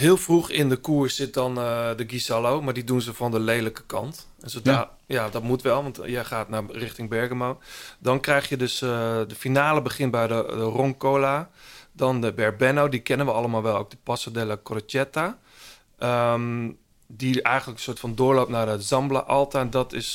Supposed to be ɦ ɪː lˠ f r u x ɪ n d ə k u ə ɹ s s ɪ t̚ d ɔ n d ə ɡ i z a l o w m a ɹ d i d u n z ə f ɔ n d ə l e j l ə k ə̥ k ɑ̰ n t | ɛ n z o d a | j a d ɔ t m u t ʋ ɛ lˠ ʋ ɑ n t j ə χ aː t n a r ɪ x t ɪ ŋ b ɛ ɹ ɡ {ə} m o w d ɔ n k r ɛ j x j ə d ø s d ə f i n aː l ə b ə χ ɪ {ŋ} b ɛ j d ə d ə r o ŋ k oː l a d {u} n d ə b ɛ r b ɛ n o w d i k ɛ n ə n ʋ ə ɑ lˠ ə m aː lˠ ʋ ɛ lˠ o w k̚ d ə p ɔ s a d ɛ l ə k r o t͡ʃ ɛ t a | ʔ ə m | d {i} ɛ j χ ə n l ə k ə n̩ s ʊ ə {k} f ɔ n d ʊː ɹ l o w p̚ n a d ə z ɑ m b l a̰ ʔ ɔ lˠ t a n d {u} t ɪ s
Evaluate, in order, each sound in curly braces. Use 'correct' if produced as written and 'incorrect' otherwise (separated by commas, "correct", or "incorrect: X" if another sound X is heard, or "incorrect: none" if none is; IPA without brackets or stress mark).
correct, incorrect: n, incorrect: ɔ, correct, incorrect: t, incorrect: ɔ